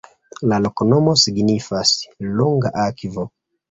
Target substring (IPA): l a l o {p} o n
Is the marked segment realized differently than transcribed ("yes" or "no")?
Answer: yes